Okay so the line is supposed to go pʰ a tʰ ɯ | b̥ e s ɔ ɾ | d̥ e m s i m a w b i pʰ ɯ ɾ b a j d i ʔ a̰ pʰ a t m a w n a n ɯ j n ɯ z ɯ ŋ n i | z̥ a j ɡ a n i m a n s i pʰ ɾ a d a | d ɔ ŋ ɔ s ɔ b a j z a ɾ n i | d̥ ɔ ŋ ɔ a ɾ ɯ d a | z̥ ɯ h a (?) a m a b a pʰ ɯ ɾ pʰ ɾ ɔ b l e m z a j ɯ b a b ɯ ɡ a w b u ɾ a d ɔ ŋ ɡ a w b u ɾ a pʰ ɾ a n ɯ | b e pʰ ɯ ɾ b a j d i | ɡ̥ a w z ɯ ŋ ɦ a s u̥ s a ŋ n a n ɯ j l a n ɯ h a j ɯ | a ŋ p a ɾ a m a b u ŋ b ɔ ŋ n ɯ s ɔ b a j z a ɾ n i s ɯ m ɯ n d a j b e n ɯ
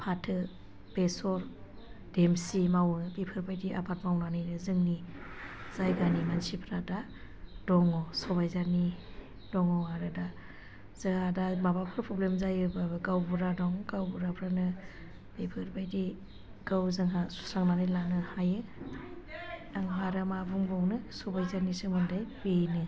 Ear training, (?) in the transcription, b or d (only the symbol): d